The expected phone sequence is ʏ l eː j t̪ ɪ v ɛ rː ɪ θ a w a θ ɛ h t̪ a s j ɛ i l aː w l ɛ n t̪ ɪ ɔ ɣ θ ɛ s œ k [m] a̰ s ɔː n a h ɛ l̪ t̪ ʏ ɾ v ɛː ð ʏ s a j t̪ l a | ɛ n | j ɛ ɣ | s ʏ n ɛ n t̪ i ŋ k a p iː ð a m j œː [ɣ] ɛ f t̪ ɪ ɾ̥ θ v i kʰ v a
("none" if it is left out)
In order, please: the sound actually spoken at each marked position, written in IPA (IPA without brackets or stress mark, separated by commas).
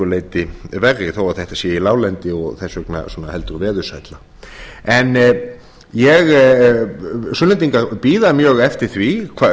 n, ɣ